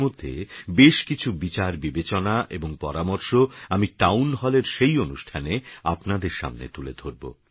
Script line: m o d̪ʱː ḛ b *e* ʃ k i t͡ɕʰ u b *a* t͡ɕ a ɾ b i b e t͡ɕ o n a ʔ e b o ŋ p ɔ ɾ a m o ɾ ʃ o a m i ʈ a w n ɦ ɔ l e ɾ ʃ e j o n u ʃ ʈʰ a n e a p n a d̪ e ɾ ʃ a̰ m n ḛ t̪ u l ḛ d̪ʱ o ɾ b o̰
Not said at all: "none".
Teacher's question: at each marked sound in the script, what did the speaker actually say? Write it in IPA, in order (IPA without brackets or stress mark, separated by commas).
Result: e, i